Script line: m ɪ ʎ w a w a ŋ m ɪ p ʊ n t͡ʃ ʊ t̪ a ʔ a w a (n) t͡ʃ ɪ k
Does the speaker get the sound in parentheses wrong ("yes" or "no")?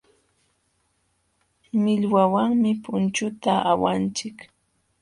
no